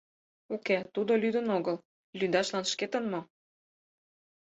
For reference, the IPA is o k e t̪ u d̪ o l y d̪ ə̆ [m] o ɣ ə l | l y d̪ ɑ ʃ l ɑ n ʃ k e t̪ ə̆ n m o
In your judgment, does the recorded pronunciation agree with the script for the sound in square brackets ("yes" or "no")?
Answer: no